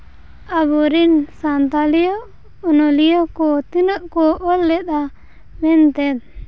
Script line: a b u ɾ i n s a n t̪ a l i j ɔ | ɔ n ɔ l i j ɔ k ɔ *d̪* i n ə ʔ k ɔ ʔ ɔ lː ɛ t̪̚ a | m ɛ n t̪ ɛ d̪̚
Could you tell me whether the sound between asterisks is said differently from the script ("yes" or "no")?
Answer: yes